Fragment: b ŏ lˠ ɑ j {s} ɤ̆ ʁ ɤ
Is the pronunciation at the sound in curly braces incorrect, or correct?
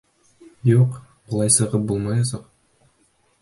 correct